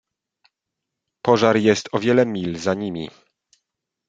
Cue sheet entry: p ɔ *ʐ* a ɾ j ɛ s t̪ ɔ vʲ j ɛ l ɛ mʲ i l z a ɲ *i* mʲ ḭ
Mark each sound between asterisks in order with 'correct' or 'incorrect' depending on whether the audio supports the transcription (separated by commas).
correct, correct